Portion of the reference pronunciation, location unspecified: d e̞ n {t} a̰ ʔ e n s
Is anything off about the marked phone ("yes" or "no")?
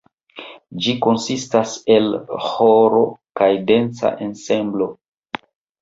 yes